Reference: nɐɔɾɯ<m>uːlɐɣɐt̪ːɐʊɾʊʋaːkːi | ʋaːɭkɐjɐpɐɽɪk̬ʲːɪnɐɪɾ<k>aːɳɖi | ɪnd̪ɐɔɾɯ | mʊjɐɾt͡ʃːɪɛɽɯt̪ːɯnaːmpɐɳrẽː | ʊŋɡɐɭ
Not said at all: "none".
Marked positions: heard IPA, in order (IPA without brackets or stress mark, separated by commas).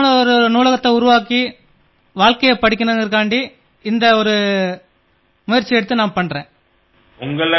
n, k